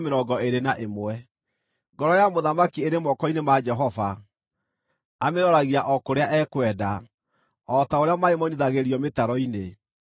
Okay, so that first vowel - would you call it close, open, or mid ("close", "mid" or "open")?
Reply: mid